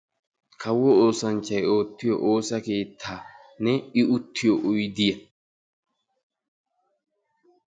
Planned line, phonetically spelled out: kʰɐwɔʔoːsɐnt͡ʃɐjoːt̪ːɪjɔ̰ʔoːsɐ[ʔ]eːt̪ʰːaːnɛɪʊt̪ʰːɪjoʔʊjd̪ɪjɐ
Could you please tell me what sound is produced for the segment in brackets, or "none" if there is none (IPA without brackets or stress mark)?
k